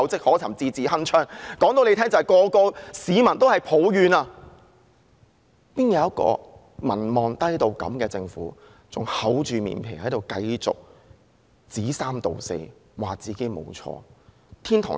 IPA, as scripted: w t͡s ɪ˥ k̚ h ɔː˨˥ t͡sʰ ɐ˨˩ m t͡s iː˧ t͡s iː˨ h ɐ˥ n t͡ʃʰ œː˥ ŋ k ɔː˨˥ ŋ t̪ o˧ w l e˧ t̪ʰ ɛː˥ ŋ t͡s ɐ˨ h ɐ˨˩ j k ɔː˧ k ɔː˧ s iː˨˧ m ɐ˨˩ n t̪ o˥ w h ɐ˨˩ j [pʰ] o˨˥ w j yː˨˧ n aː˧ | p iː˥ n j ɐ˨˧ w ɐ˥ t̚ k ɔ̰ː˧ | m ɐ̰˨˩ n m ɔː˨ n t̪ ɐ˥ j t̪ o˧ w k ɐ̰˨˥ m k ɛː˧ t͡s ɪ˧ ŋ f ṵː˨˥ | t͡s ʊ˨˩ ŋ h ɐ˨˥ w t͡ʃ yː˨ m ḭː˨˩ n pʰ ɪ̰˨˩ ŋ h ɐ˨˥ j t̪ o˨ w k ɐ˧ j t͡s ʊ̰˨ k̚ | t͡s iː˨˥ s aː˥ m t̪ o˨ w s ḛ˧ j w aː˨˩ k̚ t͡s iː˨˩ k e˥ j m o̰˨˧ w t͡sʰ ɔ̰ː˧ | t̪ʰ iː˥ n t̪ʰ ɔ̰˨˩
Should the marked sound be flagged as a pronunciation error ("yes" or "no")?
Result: no